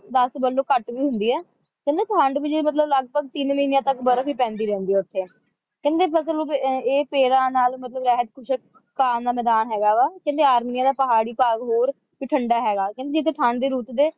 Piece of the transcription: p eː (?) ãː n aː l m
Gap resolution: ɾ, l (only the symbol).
ɾ